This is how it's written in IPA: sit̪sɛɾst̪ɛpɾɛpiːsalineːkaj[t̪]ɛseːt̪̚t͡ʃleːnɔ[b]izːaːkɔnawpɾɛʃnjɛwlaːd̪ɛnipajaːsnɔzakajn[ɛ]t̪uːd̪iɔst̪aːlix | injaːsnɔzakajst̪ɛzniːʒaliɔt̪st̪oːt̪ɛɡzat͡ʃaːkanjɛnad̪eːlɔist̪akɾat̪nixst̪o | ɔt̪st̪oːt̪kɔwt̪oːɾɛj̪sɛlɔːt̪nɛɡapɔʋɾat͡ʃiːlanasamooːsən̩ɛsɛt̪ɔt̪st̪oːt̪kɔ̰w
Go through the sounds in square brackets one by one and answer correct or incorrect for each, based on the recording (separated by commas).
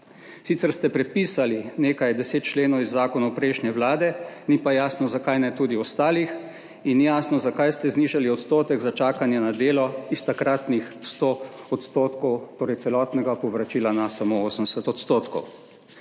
incorrect, incorrect, correct